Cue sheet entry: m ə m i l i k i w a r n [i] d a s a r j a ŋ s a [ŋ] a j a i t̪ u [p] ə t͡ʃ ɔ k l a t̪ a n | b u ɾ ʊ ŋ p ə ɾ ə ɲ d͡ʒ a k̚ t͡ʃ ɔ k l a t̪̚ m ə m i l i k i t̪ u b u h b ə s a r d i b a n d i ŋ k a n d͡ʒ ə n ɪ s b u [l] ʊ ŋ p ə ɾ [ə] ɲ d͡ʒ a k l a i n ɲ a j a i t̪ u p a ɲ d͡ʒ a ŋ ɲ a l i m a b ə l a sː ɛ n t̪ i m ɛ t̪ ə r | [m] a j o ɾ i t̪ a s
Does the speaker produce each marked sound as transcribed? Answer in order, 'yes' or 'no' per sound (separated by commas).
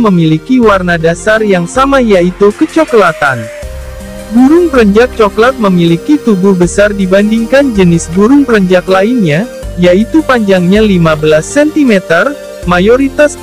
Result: no, no, no, no, yes, yes